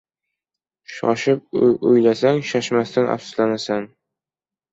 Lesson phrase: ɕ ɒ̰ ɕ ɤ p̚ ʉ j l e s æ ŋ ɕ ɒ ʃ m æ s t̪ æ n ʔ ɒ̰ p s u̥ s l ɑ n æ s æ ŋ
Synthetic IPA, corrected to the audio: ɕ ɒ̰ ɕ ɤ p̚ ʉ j l æ s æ ŋ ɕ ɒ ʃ m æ s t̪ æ n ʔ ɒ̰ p s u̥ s l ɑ n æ s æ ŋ